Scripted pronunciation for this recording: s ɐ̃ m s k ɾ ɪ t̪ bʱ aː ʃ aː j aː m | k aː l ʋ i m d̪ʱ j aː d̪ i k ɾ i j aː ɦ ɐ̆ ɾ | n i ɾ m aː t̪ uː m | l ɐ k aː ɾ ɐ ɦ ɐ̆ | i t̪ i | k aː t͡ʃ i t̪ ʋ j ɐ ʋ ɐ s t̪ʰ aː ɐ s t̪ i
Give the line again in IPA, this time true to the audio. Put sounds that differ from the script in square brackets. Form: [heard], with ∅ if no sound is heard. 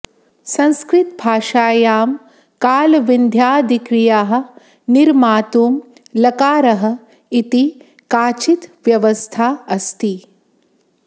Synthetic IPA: s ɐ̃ [n] s k ɾ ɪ t̪ bʱ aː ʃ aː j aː m | k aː l ʋ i [n] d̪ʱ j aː d̪ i k ɾ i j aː ɦ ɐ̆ [∅] | n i ɾ m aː t̪ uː m | l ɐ k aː ɾ ɐ ɦ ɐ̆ | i t̪ i | k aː t͡ʃ i t̪ ʋ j ɐ ʋ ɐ s t̪ʰ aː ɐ s t̪ i

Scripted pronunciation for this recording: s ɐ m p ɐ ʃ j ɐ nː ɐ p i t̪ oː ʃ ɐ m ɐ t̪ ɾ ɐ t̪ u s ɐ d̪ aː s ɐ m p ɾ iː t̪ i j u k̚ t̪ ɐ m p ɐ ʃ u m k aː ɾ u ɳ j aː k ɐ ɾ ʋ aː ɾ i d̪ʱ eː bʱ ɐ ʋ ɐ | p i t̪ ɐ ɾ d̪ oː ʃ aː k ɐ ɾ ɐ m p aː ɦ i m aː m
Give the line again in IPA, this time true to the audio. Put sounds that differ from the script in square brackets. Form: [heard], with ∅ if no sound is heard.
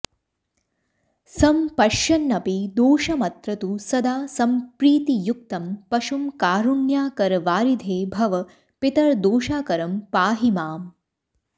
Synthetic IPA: s ɐ m p ɐ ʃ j ɐ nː ɐ p i [d̪] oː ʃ ɐ m ɐ t̪ ɾ ɐ t̪ u s ɐ d̪ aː s ɐ m p ɾ iː t̪ i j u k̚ t̪ ɐ m p ɐ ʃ u m k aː ɾ u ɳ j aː k ɐ ɾ ʋ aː ɾ i d̪ʱ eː bʱ ɐ ʋ ɐ | p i t̪ ɐ ɾ d̪ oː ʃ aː k ɐ ɾ ɐ m p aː ɦ i m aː m

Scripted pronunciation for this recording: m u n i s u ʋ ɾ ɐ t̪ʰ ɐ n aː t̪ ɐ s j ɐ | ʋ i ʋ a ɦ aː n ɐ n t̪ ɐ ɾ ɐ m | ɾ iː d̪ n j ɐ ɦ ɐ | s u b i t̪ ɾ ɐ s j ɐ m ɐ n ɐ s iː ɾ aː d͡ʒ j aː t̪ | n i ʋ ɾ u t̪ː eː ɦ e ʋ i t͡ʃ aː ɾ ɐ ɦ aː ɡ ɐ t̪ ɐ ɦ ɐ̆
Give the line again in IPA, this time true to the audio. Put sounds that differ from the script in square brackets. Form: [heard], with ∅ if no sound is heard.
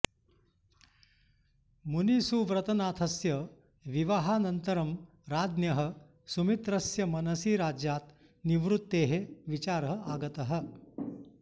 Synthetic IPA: m u n i s u ʋ ɾ ɐ [t̪] ɐ n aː [t̪ʰ] ɐ s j ɐ | ʋ i ʋ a ɦ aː n ɐ n t̪ ɐ ɾ ɐ m | ɾ [aː] d̪ n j ɐ ɦ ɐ | s u [m] i t̪ ɾ ɐ s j ɐ m ɐ n ɐ s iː ɾ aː d͡ʒ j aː t̪ | n i ʋ ɾ u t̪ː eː ɦ e ʋ i t͡ʃ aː ɾ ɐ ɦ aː ɡ ɐ t̪ ɐ ɦ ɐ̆

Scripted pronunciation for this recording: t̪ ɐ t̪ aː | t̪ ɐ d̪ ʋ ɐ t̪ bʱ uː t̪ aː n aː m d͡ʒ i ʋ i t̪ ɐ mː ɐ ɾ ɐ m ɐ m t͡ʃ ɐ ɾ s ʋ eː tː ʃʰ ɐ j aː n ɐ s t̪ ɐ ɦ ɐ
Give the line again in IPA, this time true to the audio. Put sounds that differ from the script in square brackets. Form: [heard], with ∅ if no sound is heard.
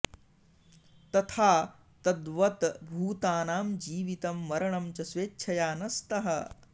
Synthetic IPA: t̪ ɐ [t̪ʰ] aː | t̪ ɐ d̪ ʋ ɐ t̪ bʱ uː t̪ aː n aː m d͡ʒ [iː] ʋ i t̪ ɐ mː ɐ ɾ ɐ [ɳ] ɐ m t͡ʃ ɐ [∅] s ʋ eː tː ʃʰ ɐ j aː n ɐ s t̪ ɐ ɦ ɐ

